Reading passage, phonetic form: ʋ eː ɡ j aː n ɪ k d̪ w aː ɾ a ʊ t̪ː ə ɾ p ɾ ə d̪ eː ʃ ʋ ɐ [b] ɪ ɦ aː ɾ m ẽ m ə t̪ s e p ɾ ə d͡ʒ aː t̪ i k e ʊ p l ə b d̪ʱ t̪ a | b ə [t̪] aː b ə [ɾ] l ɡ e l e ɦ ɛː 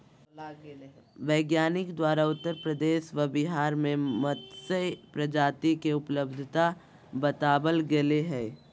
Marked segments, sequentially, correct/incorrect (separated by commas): correct, correct, incorrect